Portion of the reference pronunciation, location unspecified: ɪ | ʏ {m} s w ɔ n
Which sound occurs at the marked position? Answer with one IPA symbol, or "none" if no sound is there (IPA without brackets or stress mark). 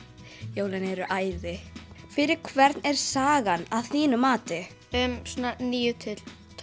m